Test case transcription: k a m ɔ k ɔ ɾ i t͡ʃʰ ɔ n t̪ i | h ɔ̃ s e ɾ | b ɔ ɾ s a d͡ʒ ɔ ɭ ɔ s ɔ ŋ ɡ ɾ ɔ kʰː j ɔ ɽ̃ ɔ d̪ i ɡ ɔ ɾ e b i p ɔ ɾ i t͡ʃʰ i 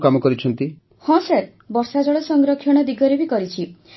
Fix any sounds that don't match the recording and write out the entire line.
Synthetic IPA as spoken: k a m ɔ k ɔ ɾ i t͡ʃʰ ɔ n t̪ i | h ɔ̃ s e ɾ | b ɔ ɾ s a d͡ʒ ɔ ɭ ɔ s ɔ ŋ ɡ ɾ ɔ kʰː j ɔ ɽ̃ ɔ d̪ i ɡ ɔ ɾ e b i k ɔ ɾ i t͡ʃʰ i